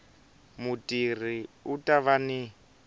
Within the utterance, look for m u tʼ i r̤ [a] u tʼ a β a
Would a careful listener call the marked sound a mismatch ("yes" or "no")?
yes